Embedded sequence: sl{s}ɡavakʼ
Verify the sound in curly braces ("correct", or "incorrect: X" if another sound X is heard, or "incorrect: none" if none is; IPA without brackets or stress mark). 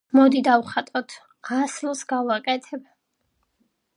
correct